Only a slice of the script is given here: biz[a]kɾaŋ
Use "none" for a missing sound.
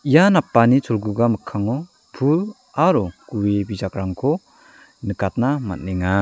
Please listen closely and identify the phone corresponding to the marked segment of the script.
a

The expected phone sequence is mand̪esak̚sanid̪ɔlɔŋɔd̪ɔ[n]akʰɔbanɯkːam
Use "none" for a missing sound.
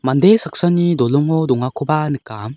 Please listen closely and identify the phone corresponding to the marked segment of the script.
ŋ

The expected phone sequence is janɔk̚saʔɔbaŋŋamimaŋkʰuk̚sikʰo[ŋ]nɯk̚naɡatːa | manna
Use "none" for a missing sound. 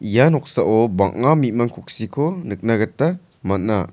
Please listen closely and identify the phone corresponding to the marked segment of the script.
none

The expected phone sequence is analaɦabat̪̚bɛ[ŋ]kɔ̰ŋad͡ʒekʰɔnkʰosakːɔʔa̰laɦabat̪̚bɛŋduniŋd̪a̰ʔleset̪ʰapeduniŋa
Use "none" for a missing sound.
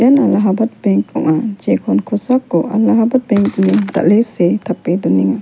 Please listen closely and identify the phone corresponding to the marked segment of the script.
ŋ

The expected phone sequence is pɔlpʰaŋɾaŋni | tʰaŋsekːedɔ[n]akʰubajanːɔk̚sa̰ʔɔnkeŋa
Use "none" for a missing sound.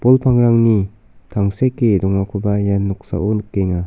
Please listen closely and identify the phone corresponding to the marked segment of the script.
ŋ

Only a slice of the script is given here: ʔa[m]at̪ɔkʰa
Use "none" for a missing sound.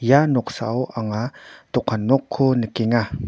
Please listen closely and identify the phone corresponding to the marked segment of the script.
ŋ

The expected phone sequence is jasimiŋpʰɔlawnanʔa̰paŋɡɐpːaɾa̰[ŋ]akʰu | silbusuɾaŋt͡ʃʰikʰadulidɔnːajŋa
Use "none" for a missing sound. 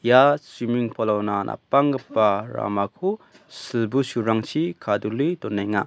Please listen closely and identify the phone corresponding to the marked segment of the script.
m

